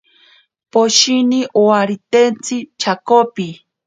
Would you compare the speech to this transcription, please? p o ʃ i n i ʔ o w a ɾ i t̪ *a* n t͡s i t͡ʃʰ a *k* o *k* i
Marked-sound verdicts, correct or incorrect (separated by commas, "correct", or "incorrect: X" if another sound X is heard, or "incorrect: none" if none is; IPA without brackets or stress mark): incorrect: e, correct, incorrect: p